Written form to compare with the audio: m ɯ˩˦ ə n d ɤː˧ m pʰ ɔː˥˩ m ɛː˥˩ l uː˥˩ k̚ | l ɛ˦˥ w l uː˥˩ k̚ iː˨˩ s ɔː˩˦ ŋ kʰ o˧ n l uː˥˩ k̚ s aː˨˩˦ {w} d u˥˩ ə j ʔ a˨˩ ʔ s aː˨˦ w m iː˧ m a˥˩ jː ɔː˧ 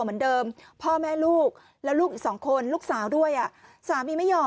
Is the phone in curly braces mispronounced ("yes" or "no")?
no